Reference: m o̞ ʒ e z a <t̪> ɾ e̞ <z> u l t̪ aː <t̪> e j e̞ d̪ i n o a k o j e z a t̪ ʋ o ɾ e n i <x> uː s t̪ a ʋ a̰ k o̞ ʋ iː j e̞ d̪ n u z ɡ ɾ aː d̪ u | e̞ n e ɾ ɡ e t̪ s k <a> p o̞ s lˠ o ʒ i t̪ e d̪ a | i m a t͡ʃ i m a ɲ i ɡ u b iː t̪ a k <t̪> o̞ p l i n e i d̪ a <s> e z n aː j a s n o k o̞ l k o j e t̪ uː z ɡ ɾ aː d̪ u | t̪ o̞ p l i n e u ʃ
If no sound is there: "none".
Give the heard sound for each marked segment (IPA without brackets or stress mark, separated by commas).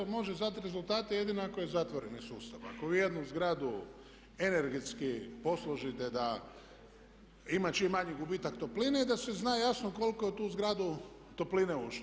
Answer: t̪, z, t̪, s, i, t̪, s